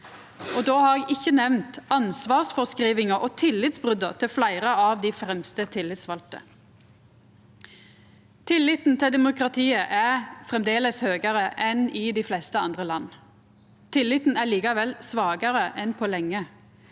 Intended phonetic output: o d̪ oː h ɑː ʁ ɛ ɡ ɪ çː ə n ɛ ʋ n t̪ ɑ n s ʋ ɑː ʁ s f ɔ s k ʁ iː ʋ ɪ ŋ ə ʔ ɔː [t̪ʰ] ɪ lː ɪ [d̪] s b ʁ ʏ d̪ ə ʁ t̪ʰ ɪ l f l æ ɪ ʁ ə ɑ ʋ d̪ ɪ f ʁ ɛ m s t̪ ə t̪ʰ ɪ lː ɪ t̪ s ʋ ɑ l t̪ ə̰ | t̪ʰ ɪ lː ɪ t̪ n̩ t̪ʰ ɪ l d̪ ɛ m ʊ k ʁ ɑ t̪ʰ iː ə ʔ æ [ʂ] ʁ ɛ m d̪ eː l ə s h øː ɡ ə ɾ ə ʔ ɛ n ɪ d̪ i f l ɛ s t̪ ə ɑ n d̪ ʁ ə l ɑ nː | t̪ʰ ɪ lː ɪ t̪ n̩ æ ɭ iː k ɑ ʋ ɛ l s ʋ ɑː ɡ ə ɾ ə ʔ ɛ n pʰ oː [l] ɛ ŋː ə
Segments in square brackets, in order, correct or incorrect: correct, incorrect: t̪, incorrect: f, correct

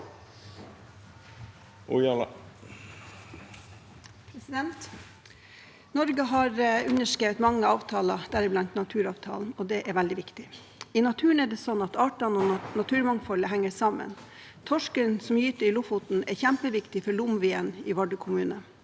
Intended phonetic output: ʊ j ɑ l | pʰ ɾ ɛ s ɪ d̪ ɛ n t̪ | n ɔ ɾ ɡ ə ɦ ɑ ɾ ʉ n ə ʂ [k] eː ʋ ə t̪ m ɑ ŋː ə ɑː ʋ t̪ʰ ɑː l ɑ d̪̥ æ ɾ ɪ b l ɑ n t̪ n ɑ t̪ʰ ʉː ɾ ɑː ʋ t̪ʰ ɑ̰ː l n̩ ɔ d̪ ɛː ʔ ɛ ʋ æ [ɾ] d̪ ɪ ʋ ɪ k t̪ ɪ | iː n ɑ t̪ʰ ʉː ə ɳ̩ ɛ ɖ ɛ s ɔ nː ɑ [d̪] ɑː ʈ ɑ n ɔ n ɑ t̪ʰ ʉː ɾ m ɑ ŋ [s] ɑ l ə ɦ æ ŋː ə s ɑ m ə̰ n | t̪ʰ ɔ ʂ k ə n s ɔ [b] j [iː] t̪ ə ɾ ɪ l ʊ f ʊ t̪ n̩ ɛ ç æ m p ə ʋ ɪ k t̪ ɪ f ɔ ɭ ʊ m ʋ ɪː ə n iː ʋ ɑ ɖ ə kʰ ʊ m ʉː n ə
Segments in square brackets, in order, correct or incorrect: correct, incorrect: l, incorrect: t̪, incorrect: f, incorrect: m, incorrect: yː

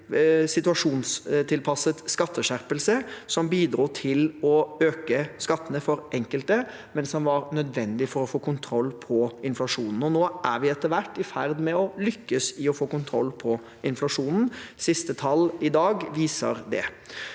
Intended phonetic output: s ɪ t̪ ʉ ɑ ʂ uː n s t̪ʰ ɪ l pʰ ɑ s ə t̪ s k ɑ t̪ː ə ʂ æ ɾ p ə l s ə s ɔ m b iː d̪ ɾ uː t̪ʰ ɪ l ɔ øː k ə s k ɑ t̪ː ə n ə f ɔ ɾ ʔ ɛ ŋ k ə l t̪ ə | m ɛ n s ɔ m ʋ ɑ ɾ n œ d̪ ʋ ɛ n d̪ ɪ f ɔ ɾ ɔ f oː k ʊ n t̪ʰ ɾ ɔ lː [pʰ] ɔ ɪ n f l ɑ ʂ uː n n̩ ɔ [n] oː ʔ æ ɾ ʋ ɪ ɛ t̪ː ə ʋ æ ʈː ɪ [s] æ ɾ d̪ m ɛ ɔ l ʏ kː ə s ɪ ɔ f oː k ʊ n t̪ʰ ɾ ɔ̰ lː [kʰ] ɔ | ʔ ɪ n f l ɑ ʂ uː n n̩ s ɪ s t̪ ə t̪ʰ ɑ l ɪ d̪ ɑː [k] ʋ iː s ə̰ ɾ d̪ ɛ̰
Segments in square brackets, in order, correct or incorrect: correct, correct, incorrect: f, incorrect: pʰ, incorrect: ɡ

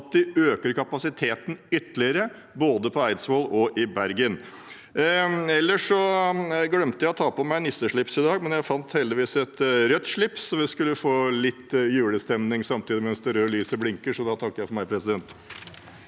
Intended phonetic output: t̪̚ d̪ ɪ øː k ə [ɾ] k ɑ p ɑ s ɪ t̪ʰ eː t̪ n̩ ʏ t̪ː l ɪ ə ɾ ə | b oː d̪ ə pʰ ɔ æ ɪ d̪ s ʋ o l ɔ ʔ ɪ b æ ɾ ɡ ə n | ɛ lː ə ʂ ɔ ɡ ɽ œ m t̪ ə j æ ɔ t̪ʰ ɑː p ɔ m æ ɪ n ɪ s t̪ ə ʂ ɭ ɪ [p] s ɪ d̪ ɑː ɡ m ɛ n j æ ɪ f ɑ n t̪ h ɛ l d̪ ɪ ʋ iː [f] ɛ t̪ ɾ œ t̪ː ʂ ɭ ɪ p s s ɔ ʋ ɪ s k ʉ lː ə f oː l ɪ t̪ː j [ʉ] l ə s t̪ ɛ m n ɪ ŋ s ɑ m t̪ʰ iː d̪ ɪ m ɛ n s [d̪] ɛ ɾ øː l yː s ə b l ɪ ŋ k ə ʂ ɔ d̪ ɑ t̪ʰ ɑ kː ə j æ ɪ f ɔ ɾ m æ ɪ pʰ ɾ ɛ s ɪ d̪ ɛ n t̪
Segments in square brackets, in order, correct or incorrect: correct, correct, incorrect: s, incorrect: ʉː, correct

